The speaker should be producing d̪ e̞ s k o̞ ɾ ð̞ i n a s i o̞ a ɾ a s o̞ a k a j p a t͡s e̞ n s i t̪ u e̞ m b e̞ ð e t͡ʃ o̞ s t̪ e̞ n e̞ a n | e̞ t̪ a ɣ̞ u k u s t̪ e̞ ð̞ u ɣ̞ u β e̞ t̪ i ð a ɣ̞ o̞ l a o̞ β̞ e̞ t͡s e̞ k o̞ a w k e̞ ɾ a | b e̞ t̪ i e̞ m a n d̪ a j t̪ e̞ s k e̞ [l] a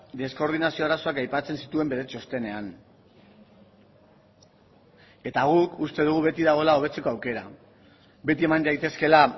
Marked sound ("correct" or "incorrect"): correct